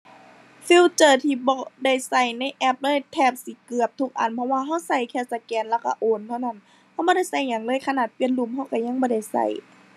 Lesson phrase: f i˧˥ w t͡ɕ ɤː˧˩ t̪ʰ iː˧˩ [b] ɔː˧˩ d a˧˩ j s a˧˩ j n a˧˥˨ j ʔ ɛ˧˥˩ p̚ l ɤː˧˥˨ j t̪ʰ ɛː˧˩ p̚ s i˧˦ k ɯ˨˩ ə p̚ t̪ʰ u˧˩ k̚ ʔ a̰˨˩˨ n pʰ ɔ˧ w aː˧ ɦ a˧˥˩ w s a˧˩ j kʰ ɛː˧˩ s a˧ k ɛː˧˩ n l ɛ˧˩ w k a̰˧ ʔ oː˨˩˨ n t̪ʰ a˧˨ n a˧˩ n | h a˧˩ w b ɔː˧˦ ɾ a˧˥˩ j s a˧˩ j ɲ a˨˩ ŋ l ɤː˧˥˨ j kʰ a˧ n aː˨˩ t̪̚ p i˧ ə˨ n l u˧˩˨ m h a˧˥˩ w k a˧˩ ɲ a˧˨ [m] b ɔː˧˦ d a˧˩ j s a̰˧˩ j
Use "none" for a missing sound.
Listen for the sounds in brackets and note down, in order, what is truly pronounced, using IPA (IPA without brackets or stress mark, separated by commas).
b, ŋ